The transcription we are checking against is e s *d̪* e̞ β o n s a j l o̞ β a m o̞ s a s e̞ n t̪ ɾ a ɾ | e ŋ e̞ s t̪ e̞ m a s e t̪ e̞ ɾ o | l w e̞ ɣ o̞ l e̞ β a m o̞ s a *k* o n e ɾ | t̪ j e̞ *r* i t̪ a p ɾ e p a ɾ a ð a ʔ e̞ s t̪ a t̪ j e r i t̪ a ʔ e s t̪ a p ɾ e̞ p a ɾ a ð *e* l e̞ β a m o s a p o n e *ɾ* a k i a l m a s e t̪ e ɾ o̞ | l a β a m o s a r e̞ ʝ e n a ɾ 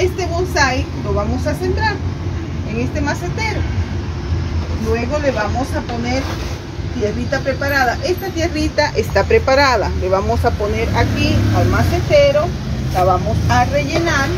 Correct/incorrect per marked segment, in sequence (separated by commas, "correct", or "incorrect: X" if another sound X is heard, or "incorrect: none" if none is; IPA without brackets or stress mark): incorrect: t̪, incorrect: p, correct, incorrect: a, correct